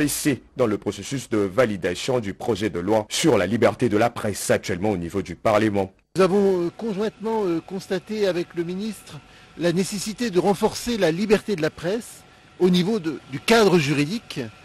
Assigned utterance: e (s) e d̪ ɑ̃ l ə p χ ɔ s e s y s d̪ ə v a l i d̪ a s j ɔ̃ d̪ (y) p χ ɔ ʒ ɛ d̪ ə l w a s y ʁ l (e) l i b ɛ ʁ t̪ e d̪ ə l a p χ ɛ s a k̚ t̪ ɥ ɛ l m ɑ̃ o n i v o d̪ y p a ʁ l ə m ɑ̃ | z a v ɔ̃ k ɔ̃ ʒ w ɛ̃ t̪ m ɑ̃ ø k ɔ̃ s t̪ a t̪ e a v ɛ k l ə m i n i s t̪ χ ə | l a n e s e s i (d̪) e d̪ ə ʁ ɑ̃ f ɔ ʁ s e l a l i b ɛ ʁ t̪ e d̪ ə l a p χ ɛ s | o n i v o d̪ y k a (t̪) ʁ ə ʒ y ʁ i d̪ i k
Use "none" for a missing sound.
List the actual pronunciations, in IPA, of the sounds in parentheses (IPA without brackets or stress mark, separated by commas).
s, y, a, t̪, d̪